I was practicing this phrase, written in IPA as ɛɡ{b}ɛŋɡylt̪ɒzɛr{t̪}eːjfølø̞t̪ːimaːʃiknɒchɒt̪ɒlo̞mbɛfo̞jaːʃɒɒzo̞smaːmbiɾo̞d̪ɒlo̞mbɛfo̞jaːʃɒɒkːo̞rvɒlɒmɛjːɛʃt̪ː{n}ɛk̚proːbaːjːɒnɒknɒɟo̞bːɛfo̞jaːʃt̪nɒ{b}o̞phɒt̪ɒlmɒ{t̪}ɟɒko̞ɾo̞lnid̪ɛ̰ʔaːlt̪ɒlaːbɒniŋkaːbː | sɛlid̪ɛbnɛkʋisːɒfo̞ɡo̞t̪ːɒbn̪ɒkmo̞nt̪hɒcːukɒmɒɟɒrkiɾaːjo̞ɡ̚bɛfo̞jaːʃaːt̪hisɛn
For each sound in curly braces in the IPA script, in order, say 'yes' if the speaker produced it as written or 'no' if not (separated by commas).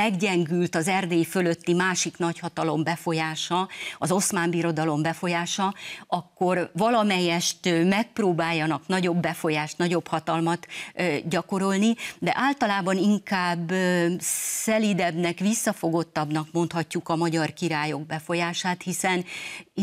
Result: no, no, no, no, yes